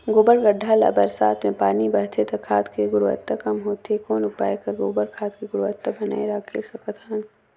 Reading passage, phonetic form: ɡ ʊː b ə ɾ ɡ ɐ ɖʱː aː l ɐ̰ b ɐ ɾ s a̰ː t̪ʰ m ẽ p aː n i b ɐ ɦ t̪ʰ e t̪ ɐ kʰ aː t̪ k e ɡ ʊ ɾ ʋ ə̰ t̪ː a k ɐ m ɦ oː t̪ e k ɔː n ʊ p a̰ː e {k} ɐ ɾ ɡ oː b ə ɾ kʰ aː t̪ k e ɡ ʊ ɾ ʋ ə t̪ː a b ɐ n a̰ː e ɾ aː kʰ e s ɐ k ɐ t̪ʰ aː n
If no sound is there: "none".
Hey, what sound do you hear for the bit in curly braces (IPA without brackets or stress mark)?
k